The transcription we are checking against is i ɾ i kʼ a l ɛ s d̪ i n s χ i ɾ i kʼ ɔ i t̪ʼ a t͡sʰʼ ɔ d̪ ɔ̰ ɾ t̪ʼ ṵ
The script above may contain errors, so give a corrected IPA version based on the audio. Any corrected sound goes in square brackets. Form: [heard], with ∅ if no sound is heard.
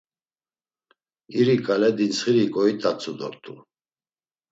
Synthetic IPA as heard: i ɾ i kʼ a l ɛ [∅] d̪ i n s χ i ɾ i kʼ ɔ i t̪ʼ a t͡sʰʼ [u] d̪ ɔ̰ ɾ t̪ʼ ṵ